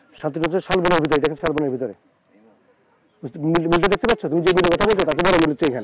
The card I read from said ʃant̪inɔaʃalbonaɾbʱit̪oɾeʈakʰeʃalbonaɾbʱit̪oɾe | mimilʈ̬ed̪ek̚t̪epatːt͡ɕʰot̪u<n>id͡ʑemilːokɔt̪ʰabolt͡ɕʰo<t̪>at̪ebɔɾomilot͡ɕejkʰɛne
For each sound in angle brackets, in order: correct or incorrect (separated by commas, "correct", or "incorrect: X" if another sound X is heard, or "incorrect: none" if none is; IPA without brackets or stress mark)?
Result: incorrect: m, correct